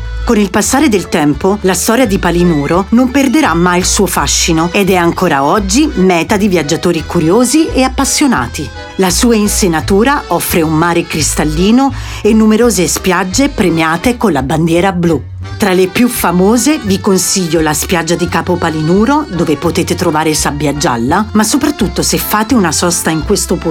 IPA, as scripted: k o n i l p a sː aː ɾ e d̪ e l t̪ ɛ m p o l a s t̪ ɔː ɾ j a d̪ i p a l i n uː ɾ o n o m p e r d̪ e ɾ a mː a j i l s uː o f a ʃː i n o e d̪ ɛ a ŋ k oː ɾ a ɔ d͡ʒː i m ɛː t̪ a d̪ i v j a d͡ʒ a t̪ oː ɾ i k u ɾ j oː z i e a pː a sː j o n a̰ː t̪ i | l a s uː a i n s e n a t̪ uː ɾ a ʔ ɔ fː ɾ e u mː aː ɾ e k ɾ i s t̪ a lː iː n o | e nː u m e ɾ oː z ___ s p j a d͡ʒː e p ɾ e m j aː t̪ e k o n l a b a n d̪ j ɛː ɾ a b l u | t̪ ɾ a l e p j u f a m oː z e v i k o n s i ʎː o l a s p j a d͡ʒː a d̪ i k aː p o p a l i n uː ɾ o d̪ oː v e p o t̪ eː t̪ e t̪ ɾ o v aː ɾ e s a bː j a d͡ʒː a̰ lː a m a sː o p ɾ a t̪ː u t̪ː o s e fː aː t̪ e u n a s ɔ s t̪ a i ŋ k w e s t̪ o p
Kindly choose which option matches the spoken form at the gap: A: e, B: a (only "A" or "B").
A